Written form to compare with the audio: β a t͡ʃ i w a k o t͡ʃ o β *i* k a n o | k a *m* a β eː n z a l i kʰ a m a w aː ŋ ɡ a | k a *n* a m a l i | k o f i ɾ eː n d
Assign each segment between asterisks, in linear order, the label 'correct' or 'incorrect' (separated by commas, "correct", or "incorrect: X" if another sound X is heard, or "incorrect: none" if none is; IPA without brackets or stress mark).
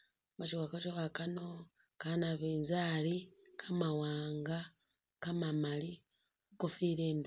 incorrect: a, incorrect: n, incorrect: m